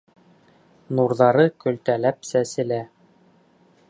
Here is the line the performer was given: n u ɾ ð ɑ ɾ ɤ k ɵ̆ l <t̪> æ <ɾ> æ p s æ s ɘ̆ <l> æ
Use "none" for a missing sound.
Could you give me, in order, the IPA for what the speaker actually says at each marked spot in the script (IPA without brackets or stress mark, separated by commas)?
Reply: t̪, l, l